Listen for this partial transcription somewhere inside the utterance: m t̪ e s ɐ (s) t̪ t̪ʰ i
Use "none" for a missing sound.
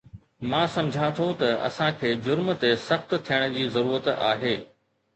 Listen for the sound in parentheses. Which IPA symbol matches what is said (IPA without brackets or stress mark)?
x